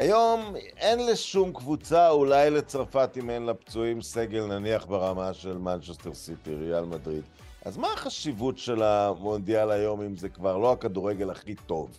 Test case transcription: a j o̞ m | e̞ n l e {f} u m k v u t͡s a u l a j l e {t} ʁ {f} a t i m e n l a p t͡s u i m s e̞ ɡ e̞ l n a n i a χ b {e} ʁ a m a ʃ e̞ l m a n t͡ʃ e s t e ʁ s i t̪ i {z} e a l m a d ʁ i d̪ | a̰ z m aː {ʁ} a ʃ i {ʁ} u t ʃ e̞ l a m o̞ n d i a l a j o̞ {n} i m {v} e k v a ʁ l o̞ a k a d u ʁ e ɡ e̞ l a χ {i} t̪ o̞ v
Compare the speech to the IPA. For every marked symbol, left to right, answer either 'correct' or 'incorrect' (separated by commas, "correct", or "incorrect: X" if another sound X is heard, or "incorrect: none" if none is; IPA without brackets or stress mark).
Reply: incorrect: ʃ, incorrect: t͡s, correct, correct, incorrect: ʁ, incorrect: χ, incorrect: v, incorrect: m, incorrect: z, correct